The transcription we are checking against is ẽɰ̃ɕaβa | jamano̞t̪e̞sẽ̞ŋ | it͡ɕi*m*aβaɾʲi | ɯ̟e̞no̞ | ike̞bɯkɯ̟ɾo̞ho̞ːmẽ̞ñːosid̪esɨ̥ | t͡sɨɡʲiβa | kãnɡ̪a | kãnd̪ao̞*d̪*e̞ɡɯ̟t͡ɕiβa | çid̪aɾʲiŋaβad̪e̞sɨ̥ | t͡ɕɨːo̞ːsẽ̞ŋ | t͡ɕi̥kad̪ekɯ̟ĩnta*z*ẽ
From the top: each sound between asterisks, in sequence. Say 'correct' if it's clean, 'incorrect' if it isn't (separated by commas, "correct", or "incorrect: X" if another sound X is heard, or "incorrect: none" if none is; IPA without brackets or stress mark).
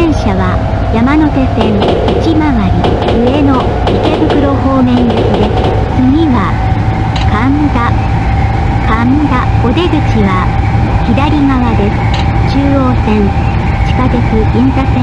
correct, correct, incorrect: s